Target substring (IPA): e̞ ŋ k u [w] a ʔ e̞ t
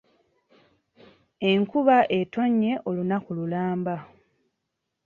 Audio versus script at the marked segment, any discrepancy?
yes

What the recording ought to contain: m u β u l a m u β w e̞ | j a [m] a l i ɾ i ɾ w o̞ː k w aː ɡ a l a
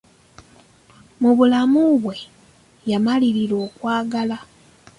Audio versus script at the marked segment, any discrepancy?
no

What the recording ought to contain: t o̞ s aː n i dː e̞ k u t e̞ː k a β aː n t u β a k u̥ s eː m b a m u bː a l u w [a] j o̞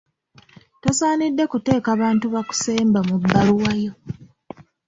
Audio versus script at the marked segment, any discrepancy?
no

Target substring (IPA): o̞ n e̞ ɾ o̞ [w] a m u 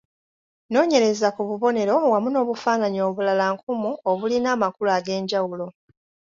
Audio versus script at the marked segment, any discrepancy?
no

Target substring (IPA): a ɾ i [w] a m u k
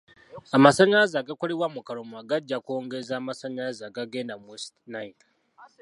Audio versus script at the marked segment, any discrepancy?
no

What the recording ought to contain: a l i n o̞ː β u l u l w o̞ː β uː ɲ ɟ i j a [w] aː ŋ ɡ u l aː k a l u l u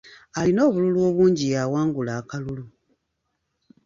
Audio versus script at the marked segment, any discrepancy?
no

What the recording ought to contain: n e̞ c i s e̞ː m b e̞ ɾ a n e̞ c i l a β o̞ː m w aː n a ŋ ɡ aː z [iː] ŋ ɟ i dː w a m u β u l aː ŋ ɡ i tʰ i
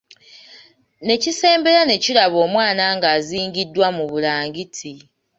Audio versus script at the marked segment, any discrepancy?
no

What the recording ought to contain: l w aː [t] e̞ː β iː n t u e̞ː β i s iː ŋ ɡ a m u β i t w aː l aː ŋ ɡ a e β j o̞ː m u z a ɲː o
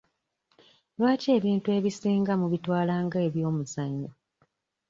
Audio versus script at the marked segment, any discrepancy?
yes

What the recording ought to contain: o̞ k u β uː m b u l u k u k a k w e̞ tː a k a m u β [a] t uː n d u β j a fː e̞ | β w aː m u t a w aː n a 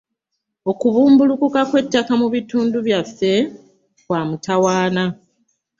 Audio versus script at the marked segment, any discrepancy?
yes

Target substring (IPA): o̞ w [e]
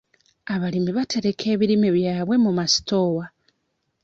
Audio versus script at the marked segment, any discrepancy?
yes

